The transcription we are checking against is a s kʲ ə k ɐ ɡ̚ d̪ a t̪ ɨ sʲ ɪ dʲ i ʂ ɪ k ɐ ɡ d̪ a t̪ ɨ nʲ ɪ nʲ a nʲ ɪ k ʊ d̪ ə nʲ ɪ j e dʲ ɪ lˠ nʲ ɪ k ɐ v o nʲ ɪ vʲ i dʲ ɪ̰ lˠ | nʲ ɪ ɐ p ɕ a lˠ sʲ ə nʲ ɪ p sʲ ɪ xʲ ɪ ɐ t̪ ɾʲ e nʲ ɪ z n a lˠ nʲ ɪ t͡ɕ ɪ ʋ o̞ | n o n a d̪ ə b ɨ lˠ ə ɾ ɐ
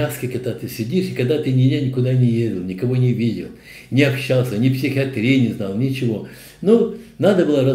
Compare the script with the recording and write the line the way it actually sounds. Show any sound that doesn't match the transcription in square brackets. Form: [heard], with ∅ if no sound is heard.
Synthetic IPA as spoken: a s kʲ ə k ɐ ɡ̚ d̪ a t̪ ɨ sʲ ɪ dʲ i ʂ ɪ k ɐ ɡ d̪ a t̪ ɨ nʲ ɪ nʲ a nʲ ɪ k ʊ d̪ [a] nʲ ɪ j e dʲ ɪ lˠ nʲ ɪ k ɐ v o nʲ ɪ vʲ i dʲ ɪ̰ lˠ | nʲ ɪ ɐ p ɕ a lˠ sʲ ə nʲ ɪ p sʲ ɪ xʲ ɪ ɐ t̪ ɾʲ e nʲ ɪ z n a lˠ nʲ ɪ t͡ɕ ɪ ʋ o̞ | n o n a d̪ ə b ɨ lˠ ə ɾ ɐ